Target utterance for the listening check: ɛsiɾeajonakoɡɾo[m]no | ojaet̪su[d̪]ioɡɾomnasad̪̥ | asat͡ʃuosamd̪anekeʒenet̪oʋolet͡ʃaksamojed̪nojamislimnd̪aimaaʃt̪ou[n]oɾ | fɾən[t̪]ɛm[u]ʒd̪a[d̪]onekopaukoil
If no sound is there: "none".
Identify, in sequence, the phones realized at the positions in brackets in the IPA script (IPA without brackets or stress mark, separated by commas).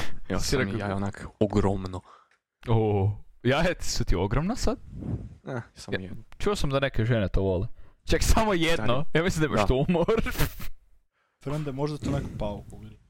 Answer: m, t̪, m, d̪, o, t̪